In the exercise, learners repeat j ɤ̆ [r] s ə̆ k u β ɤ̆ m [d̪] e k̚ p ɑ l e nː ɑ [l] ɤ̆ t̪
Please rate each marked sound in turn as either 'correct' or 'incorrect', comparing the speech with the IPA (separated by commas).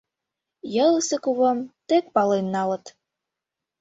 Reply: incorrect, incorrect, correct